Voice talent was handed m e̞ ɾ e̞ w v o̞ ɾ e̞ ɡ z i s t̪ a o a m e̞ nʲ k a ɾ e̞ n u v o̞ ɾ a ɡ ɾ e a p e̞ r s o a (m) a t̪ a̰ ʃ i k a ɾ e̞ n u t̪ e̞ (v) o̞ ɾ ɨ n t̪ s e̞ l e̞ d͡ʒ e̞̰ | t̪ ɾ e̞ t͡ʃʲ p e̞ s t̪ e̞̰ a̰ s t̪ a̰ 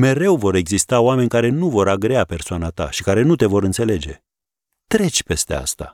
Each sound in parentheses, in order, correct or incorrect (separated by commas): incorrect, correct